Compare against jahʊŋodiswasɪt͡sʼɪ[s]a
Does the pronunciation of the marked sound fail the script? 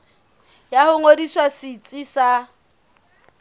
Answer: no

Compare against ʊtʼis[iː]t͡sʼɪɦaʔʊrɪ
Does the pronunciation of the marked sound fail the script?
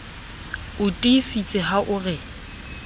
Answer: yes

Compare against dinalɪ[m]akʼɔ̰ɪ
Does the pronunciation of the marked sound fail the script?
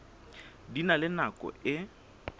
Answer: yes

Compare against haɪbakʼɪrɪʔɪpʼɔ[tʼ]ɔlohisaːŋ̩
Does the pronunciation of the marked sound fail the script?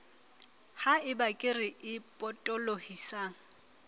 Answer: no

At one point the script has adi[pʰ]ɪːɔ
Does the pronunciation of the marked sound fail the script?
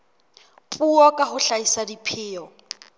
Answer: no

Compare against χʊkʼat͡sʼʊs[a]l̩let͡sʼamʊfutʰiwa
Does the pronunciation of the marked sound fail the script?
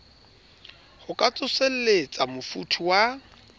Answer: yes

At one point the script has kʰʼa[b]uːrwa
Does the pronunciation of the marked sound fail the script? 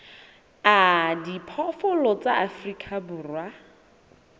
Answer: no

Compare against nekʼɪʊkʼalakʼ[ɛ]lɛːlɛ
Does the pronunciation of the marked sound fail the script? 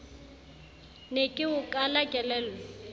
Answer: no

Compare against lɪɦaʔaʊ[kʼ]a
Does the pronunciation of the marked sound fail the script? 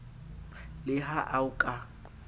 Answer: no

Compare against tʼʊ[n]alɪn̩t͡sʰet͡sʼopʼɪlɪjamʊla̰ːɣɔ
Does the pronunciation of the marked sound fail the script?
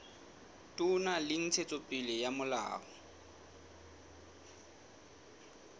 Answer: no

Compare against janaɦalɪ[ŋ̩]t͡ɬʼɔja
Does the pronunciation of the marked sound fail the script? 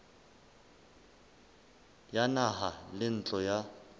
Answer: yes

